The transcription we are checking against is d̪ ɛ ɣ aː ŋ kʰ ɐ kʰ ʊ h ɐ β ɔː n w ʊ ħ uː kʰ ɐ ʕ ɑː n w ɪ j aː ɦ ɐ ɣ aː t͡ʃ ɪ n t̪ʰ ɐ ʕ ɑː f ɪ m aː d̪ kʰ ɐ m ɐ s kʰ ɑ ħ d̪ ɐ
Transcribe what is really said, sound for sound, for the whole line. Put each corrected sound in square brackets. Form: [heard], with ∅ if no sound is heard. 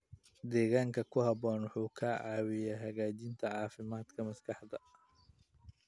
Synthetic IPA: d̪ [ɛː] ɣ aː ŋ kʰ ɐ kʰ ʊ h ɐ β ɔː n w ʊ ħ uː kʰ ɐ ʕ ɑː [∅] w ɪ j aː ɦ ɐ ɣ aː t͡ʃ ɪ n t̪ʰ ɐ ʕ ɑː f ɪ m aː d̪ kʰ ɐ m ɐ s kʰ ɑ ħ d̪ ɐ